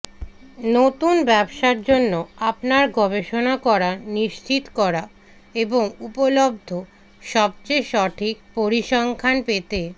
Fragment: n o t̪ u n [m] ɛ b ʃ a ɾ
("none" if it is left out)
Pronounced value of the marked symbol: b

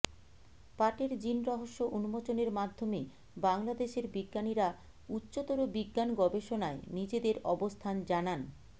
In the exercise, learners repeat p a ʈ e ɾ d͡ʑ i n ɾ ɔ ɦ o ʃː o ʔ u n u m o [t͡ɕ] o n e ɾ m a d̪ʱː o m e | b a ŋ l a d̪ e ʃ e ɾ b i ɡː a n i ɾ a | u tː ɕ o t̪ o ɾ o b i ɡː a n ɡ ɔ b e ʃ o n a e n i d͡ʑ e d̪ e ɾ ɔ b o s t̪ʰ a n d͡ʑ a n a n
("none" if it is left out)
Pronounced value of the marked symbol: t͡ɕ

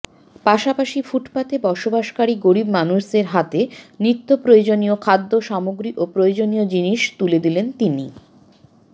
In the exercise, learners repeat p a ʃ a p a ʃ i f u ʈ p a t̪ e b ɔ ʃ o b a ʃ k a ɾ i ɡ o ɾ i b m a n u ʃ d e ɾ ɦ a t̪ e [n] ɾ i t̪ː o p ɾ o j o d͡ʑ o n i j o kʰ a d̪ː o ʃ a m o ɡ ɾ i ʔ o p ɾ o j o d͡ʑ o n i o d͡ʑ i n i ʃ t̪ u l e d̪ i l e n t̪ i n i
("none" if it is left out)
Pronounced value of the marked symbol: n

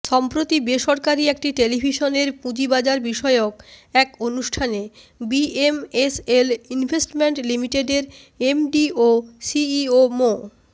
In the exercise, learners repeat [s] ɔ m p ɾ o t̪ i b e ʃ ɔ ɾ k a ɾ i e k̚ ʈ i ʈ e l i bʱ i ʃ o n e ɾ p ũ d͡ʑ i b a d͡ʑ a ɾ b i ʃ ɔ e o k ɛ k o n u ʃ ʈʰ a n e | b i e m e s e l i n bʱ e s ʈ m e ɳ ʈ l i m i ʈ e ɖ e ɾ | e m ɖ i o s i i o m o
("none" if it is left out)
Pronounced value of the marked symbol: ʃ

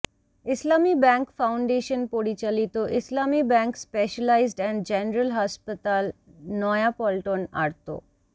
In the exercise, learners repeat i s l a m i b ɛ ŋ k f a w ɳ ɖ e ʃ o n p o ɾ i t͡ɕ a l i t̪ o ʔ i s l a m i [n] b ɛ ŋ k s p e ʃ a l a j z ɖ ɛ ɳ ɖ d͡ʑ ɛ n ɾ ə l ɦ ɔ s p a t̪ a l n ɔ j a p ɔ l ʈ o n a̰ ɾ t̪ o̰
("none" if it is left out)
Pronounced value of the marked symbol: none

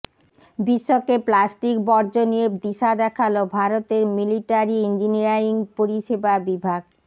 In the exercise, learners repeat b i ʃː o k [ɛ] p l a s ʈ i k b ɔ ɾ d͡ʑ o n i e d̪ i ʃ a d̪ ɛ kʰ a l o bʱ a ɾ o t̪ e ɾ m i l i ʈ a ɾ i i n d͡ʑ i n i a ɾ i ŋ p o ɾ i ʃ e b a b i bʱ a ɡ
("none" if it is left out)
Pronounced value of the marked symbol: e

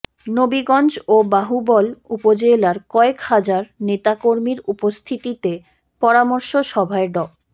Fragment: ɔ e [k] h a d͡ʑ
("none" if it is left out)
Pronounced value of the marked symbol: k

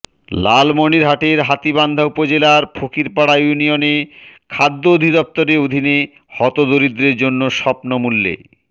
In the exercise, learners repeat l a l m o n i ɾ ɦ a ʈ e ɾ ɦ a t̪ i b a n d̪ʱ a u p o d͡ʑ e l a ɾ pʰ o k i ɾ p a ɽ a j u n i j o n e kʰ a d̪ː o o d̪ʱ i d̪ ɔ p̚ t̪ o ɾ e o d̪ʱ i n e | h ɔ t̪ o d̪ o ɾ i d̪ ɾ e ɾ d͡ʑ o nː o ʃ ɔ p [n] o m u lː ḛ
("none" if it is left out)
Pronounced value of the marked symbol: n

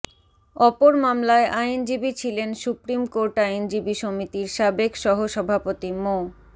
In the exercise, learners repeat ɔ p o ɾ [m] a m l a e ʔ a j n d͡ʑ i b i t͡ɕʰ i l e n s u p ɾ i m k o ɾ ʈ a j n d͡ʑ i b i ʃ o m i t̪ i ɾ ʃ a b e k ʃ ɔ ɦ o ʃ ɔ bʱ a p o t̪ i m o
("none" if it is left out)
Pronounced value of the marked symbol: m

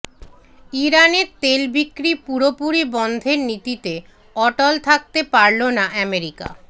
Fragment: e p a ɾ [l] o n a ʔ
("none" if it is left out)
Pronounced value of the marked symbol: l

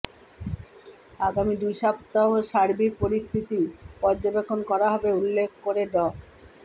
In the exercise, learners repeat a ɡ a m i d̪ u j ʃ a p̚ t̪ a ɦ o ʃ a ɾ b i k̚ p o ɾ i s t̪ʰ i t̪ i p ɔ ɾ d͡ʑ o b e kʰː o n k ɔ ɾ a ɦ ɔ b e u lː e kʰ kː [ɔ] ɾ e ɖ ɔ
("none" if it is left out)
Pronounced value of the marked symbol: o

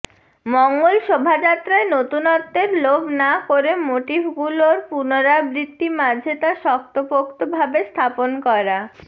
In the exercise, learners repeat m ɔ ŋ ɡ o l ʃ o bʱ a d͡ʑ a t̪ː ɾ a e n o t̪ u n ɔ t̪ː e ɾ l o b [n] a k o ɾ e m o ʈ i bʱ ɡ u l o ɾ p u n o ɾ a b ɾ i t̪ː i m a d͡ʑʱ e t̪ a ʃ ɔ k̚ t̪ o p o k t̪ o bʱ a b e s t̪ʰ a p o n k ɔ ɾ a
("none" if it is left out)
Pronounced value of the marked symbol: n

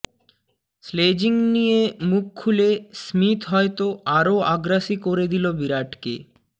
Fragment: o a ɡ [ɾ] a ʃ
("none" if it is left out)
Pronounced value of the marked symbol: ɾ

